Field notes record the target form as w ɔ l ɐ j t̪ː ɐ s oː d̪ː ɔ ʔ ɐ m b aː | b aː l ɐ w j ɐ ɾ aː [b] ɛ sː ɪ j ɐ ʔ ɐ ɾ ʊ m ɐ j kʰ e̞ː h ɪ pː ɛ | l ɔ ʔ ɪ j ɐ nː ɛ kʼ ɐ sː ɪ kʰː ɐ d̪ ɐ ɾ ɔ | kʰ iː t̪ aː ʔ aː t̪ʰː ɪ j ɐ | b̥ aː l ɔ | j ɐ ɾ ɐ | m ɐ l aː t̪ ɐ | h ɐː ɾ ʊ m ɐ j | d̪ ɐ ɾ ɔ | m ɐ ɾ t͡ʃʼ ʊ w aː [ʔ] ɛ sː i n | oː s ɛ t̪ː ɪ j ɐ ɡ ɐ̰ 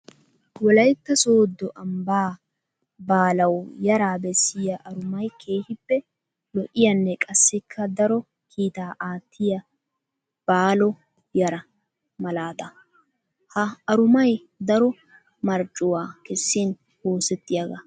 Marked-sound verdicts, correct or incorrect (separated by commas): correct, incorrect